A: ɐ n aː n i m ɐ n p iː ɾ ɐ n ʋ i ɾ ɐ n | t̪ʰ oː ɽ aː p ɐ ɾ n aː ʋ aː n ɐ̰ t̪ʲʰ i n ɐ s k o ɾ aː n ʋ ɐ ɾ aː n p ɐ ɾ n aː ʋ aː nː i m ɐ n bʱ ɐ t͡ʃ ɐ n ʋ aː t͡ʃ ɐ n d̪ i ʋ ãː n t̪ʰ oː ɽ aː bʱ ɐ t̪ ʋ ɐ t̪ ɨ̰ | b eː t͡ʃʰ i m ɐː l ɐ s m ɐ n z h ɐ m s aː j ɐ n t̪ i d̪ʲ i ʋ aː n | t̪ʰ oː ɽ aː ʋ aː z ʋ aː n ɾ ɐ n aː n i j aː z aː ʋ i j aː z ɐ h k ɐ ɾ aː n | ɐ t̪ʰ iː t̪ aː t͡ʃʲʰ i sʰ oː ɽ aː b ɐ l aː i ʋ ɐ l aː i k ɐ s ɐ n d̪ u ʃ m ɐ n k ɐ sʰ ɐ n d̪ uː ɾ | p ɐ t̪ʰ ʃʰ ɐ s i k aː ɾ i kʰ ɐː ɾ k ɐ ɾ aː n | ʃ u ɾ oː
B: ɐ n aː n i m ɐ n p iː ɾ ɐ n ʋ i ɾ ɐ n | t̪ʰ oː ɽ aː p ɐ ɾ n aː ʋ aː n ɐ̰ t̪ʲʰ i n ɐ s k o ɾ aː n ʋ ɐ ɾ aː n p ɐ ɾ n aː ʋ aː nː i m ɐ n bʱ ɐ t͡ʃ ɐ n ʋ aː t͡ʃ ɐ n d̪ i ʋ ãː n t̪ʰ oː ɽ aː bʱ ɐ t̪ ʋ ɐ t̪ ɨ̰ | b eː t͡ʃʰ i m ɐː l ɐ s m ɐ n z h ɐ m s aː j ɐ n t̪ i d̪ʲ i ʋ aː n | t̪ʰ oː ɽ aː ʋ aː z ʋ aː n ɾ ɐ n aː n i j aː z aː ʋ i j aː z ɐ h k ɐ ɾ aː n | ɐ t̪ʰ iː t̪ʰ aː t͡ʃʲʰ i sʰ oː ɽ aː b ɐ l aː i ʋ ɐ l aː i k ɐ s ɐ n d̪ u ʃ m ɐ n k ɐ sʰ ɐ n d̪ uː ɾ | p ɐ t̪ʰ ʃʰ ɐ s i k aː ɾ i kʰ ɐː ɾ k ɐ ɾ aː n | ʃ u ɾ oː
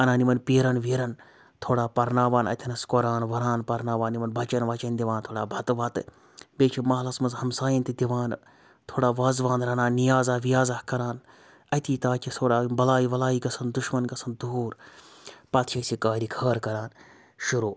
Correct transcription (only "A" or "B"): A